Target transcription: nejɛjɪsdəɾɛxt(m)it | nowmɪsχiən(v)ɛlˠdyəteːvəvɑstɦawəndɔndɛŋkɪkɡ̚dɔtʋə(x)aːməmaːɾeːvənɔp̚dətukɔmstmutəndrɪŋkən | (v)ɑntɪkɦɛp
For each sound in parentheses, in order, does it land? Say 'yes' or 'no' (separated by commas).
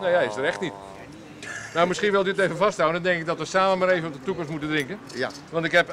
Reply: no, no, no, no